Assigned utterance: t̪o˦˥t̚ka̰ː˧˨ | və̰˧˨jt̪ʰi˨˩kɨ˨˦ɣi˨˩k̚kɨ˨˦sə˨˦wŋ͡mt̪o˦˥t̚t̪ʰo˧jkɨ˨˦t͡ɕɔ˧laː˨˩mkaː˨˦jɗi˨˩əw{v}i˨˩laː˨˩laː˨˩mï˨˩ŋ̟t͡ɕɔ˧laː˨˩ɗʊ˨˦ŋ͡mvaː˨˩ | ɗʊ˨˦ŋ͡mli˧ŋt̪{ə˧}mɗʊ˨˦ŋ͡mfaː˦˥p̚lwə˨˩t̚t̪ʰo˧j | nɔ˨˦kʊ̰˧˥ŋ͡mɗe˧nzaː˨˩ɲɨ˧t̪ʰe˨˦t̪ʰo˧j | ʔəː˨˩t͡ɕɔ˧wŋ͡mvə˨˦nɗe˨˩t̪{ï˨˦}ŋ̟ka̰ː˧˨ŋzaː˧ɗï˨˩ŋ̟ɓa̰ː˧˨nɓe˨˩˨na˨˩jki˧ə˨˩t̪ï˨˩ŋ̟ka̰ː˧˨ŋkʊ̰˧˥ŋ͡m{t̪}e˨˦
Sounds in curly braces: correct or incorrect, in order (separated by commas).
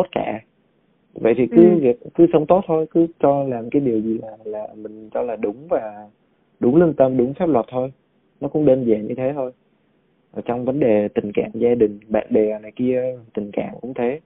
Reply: incorrect, correct, incorrect, incorrect